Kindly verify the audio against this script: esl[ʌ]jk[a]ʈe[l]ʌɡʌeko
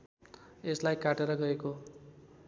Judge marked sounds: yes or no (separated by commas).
no, yes, no